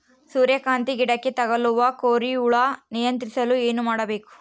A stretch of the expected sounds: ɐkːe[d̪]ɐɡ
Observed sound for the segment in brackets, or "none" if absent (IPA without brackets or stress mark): t̪